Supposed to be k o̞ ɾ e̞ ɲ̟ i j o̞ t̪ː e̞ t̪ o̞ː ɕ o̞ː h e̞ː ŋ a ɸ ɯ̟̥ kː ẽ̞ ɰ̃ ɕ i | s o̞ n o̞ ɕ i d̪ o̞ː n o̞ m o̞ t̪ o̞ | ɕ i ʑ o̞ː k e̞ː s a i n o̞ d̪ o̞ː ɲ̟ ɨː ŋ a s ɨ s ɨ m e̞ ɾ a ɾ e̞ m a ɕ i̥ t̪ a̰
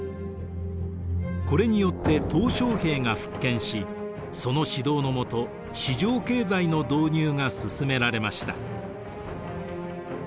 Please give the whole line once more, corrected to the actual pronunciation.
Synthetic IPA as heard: k o̞ ɾ e̞ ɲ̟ i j o̞ t̪ː e̞ t̪ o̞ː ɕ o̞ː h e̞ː ŋ a ɸ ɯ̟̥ kː ẽ̞ ɰ̃ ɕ i | s o̞ n o̞ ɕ i d̪ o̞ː n o̞ m o̞ t̪ o̞ | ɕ i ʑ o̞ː k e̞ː z a i n o̞ d̪ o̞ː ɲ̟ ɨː ŋ a s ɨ s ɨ m e̞ ɾ a ɾ e̞ m a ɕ i̥ t̪ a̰